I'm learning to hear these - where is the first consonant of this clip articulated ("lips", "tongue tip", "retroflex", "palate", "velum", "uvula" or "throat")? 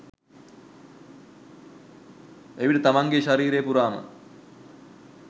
lips